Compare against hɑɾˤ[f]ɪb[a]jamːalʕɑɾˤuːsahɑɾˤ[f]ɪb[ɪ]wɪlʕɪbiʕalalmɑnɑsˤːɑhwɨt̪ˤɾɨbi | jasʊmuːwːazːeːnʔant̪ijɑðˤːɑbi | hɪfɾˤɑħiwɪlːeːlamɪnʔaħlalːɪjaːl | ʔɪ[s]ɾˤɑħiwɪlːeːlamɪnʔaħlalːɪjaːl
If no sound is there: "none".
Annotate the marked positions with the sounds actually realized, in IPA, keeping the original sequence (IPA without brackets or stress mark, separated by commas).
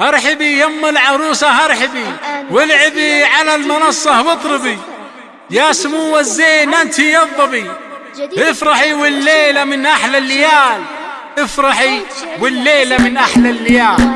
ħ, i, ħ, i, f